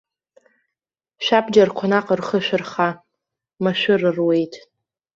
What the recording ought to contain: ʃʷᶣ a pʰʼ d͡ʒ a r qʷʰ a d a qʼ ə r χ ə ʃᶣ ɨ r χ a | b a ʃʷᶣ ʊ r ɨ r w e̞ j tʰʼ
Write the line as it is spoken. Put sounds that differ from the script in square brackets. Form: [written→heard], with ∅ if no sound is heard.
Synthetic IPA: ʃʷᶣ a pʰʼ d͡ʒ a r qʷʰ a [d→n] a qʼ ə r χ ə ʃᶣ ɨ r χ a | [b→m] a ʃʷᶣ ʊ r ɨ r w e̞ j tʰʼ

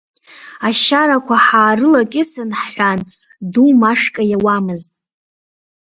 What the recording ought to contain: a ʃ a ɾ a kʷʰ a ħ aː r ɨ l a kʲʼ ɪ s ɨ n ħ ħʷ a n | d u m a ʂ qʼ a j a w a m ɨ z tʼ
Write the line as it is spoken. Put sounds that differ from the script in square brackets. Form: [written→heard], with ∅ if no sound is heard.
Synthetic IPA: a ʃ a ɾ a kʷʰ a ħ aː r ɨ l a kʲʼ ɪ s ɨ n ħ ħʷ a n | d u m a ʂ [qʼ→kʼ] a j a w a m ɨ z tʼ

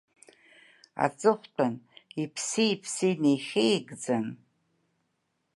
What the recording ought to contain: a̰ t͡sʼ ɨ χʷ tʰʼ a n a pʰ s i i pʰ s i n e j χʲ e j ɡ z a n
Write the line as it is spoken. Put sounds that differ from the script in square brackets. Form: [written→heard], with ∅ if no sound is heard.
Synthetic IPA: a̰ t͡sʼ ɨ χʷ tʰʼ a n [a→i] pʰ s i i pʰ s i n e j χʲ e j ɡ [z→d͡z] a n

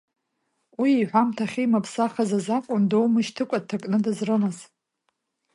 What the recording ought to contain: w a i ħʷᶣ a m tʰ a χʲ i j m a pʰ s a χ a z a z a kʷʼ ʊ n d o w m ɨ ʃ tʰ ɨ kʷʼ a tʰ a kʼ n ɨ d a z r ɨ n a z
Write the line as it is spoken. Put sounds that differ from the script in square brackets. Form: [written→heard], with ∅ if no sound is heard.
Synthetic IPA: w [a→i] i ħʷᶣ a m tʰ a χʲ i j m a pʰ s a χ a z a z a kʷʼ ʊ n d o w m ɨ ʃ tʰ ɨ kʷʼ a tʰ a kʼ n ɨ d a z r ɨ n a z

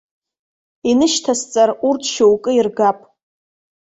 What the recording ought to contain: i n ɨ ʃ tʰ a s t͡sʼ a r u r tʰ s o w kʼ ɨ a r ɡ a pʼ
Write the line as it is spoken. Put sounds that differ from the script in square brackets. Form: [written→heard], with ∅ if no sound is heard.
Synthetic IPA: i n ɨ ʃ tʰ a s t͡sʼ a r u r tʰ [s→ʃ] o w kʼ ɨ [a→i] r ɡ a pʼ

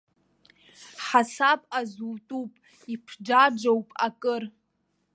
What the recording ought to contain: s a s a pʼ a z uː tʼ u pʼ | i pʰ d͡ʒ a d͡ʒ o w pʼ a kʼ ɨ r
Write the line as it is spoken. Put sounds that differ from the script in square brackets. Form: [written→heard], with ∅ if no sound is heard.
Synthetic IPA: [s→ħ] a s a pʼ a z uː tʼ u pʼ | i pʰ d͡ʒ a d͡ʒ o w pʼ a kʼ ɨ r

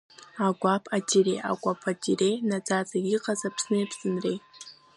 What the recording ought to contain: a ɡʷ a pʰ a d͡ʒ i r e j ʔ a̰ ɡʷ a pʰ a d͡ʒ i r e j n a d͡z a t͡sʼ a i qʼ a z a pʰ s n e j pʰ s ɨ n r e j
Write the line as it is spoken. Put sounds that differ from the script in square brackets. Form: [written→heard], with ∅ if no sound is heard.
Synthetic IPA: a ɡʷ a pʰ a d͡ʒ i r e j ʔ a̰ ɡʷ a pʰ a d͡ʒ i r e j n a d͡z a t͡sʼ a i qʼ a z a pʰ s n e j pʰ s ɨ n r e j

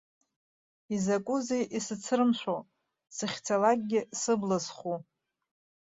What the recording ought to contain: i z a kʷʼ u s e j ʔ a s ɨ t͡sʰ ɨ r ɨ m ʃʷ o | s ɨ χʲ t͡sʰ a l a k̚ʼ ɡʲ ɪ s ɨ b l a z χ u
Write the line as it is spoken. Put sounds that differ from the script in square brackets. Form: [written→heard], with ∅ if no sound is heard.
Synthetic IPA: i z a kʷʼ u [s→z] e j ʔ [a→i] s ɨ t͡sʰ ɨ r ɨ m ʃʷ o | s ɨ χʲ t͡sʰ a l a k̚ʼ ɡʲ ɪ s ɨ b l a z χ u

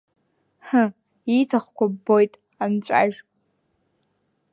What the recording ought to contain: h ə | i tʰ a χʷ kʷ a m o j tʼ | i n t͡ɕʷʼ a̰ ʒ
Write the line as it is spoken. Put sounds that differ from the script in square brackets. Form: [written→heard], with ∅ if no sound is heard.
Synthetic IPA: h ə | i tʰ a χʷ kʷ a [m→b] o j tʼ | [i→a] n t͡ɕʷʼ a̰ ʒ

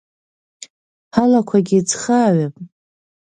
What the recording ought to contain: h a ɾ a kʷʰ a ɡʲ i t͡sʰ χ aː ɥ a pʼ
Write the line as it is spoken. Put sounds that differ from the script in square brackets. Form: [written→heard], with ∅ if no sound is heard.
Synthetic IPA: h a [ɾ→l] a kʷʰ a ɡʲ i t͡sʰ χ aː ɥ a pʼ

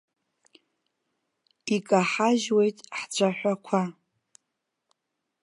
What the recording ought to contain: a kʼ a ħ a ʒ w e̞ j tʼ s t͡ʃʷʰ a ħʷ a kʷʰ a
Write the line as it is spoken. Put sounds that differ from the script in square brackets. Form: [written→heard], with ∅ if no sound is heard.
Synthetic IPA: [a→i] kʼ a ħ a ʒ w e̞ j tʼ [s→ħ] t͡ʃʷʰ a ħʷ a kʷʰ a

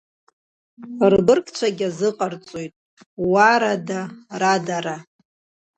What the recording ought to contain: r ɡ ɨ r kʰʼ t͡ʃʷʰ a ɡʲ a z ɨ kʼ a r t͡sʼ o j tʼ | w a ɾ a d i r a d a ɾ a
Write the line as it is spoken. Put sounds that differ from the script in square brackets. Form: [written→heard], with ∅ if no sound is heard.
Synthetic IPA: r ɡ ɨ r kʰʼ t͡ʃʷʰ a ɡʲ a z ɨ [kʼ→qʼ] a r t͡sʼ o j tʼ | w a ɾ a d [i→a] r a d a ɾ a

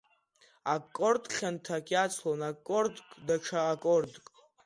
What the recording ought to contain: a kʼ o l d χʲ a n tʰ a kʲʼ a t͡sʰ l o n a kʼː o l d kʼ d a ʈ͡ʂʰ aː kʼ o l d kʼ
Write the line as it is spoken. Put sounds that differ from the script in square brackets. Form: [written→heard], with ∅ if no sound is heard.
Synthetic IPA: a kʼ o [l→r] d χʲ a n tʰ a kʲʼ a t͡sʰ l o n a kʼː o [l→r] d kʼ d a ʈ͡ʂʰ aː kʼ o [l→r] d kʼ

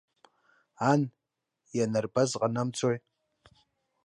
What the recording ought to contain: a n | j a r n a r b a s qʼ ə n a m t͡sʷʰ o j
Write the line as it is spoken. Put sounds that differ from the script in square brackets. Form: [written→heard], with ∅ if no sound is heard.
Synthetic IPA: a n | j a [r→∅] n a r b a [s→z] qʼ [ə→a] n a m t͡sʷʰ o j

